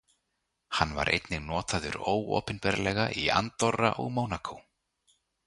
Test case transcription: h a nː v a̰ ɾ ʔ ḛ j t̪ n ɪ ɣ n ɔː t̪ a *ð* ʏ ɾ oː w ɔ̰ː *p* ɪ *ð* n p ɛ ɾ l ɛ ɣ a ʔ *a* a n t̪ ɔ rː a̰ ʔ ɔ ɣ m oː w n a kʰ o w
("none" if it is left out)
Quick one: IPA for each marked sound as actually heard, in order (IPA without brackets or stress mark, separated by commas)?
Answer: ð, p, none, i